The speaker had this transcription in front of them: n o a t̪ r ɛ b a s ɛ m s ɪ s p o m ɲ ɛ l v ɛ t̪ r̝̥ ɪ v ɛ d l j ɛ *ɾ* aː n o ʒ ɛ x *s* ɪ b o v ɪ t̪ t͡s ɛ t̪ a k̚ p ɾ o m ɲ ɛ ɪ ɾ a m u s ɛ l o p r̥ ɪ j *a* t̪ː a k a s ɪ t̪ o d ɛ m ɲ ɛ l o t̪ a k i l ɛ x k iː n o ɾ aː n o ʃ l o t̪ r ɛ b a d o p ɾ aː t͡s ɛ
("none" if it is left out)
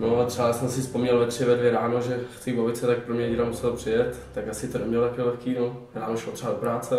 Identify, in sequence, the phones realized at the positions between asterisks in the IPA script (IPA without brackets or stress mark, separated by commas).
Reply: ɾ, t͡s, ɛ